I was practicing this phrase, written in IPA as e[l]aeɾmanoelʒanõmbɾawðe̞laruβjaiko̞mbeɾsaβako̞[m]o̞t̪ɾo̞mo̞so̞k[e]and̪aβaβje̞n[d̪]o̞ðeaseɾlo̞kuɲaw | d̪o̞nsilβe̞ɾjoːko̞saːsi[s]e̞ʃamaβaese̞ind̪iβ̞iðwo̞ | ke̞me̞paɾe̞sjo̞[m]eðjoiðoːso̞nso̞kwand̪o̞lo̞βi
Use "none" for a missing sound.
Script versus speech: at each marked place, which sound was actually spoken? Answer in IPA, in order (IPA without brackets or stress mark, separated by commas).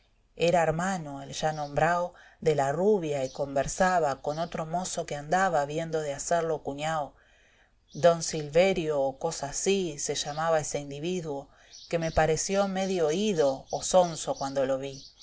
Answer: ɾ, n, e, d̪, s, m